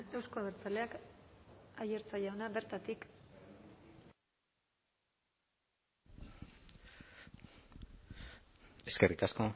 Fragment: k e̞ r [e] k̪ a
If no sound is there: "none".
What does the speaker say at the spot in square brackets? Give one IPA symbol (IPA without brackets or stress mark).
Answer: i